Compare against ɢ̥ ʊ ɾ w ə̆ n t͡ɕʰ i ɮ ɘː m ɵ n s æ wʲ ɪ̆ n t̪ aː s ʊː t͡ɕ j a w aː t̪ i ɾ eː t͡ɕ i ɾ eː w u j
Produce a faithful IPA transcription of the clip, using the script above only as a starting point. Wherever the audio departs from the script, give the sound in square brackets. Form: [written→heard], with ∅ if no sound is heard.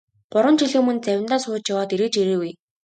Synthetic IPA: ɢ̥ ʊ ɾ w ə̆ n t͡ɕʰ i ɮ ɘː m ɵ n [s→t͡s] æ wʲ ɪ̆ n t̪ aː s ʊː t͡ɕ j a w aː t̪ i ɾ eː t͡ɕ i ɾ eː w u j